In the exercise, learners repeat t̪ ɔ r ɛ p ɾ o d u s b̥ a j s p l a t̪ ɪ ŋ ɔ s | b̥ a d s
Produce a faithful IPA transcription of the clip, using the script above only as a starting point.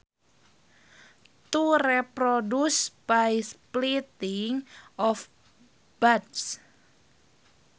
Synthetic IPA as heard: t̪ u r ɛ p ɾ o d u s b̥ a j s p l i t̪ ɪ ŋ ɔ f | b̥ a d s